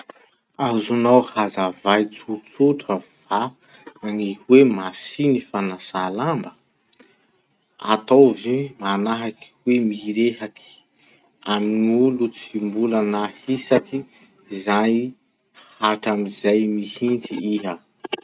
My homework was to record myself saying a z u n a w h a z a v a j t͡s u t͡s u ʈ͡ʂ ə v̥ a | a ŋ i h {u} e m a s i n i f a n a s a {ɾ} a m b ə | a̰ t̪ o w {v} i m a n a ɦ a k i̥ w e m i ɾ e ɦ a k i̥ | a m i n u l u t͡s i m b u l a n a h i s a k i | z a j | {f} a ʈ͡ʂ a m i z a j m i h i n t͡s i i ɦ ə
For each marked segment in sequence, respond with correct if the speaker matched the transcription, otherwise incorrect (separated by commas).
incorrect, incorrect, correct, incorrect